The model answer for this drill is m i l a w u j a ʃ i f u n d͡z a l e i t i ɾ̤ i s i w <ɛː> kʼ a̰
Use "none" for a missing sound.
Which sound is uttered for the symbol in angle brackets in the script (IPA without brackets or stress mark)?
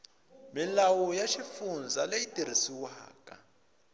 aː